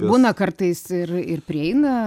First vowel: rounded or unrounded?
rounded